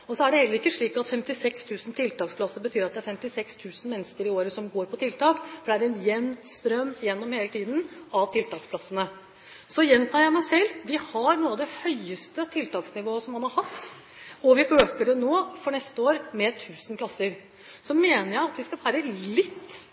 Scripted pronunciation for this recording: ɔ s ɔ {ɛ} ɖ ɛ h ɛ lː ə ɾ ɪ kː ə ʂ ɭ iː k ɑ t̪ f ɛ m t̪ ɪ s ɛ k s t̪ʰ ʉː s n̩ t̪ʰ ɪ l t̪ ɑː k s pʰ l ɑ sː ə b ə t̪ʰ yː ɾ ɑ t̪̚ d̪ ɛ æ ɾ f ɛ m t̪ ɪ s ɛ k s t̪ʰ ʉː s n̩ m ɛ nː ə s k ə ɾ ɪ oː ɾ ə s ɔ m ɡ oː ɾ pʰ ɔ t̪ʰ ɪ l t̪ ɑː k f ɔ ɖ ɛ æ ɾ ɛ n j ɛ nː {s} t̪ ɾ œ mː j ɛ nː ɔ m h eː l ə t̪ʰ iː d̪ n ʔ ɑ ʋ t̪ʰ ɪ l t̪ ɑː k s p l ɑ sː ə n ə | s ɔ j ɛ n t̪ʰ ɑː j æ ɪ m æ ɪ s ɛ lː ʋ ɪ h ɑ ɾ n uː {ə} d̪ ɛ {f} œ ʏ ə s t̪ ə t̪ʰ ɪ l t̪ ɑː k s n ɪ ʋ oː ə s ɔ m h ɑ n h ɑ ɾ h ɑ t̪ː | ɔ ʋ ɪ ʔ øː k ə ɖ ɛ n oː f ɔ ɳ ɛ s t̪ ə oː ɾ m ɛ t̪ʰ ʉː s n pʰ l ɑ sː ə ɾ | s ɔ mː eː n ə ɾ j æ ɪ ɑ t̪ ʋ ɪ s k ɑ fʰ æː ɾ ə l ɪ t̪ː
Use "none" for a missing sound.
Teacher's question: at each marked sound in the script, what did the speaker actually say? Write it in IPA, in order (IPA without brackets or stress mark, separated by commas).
æ, s, ɑ, h